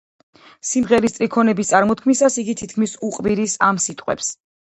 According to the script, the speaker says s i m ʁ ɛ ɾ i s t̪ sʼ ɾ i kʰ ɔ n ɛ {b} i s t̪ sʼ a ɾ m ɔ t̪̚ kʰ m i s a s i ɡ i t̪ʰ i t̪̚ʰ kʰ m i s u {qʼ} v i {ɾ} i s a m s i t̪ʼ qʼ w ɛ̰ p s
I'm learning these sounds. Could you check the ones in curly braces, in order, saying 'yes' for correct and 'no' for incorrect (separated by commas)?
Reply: yes, yes, yes